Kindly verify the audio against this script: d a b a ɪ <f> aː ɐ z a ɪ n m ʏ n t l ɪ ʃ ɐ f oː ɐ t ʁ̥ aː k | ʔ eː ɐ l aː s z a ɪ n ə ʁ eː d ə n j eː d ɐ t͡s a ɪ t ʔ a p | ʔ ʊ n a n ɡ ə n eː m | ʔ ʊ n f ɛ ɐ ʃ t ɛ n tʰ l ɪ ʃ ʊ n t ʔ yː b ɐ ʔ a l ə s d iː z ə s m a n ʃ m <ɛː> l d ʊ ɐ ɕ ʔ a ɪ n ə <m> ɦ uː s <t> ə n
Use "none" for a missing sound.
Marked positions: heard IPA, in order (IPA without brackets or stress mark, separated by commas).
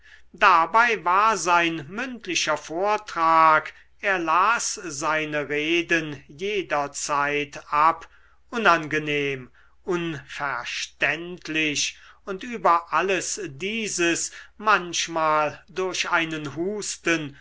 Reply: v, aː, n, t